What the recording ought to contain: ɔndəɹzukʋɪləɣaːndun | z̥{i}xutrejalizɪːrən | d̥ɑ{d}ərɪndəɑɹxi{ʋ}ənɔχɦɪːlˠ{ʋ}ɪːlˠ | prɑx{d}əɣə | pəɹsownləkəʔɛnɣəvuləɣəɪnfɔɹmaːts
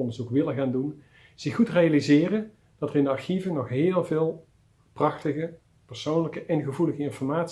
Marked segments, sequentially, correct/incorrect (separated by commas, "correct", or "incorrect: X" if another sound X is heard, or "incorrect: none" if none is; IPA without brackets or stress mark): incorrect: ɪ, incorrect: t, incorrect: v, incorrect: v, incorrect: t